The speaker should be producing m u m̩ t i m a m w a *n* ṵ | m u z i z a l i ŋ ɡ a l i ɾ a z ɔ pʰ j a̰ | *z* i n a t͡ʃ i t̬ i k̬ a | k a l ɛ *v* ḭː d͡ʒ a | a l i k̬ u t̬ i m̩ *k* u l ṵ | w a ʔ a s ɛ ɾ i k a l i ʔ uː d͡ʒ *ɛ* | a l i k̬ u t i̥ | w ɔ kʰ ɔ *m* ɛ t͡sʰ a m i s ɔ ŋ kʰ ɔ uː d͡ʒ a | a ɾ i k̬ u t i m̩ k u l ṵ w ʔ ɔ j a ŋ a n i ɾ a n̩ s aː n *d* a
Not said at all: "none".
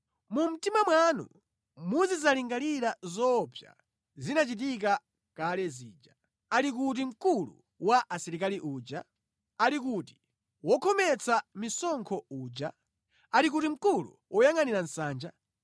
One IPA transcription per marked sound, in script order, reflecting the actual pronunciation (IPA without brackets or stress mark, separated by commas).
n, z, z, k, a, m, d͡ʒ